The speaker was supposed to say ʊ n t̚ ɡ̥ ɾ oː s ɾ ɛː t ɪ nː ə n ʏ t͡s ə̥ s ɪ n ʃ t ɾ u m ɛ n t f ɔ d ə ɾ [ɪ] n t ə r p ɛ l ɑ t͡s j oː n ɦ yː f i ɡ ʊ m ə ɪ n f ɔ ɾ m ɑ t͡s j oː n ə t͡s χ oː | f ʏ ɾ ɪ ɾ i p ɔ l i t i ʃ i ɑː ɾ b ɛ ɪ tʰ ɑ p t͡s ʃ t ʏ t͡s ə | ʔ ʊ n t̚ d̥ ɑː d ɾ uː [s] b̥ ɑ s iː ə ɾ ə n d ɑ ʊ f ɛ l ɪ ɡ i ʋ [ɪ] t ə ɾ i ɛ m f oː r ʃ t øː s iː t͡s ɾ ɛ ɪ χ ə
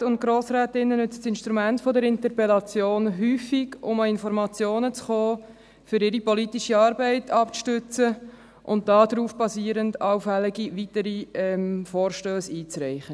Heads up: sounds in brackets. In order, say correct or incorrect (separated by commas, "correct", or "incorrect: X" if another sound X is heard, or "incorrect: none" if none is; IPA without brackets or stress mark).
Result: correct, incorrect: f, incorrect: i